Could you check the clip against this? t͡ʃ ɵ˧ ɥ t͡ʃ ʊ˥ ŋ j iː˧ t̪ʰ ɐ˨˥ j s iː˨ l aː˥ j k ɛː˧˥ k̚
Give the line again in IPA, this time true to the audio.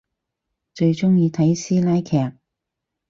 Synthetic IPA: t͡ʃ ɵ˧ ɥ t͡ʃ ʊ˥ ŋ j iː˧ t̪ʰ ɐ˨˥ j s iː˥ l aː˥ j kʰ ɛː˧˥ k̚